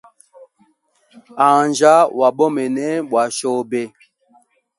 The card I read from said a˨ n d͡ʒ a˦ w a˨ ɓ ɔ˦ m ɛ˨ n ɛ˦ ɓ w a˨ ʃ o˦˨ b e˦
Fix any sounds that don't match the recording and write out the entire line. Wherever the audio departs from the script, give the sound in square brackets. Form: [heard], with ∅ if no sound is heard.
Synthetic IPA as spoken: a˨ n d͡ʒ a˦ w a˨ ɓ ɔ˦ m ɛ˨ n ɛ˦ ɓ w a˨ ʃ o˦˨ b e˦